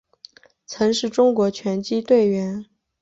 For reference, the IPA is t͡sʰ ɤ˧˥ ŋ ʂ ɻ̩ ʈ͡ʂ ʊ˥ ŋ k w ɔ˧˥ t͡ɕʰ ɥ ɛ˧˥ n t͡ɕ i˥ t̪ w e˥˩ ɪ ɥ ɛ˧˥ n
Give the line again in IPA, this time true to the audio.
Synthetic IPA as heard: t͡sʰ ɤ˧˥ ŋ ʂ ɻ̩ ʈ͡ʂ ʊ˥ ŋ k w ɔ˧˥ t͡ɕʰ ɥ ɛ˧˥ n t͡ɕ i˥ t̪ w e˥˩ ɪ ɥ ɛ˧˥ n